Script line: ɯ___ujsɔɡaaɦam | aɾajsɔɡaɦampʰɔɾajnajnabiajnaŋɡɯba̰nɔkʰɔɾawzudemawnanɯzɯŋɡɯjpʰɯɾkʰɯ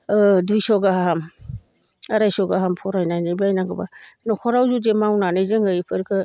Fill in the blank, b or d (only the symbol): d